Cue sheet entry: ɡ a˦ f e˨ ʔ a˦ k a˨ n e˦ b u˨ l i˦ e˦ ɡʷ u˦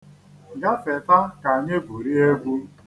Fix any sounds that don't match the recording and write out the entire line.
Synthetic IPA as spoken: ɡ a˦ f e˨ t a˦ k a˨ ɲ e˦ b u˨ ɾ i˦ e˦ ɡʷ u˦